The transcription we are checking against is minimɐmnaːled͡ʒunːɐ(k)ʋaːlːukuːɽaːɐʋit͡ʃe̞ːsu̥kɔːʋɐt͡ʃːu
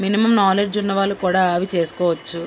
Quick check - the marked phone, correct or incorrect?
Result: incorrect